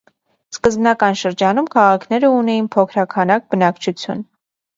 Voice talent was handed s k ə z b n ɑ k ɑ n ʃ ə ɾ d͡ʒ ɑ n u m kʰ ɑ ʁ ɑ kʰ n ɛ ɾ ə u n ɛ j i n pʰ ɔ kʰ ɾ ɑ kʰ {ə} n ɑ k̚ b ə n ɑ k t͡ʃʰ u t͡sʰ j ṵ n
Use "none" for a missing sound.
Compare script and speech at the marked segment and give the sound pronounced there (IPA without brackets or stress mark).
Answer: ɑ